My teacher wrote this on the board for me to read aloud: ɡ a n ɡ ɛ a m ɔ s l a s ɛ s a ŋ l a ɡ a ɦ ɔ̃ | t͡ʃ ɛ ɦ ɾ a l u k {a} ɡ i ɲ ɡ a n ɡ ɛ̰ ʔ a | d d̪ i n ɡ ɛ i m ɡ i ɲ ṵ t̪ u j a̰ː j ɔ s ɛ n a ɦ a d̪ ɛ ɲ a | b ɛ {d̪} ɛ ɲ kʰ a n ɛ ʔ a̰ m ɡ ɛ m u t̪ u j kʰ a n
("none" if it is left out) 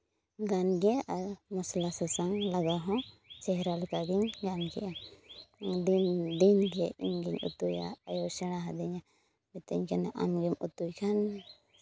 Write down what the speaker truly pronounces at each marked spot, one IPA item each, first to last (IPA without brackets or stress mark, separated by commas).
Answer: a, t̪